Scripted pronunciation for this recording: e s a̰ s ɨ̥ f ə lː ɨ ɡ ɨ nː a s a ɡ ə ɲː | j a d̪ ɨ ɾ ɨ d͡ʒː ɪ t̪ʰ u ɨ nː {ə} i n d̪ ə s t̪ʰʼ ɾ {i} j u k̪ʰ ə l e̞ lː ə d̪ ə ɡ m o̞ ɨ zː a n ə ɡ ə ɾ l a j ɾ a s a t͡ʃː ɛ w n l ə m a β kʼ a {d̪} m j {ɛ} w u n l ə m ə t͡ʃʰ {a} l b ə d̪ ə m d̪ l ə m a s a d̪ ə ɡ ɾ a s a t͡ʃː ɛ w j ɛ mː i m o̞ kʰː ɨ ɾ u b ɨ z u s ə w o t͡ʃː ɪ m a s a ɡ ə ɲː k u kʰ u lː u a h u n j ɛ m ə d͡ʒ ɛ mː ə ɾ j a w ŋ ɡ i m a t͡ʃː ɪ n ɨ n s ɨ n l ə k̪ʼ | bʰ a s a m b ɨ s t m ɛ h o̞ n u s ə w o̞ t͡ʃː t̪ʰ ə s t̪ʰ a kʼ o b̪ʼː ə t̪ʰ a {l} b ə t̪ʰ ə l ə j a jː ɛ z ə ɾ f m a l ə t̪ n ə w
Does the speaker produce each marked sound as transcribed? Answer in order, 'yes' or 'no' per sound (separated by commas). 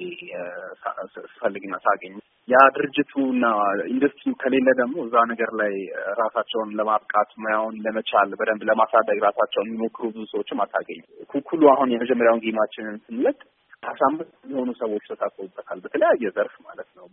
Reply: no, yes, no, no, yes, yes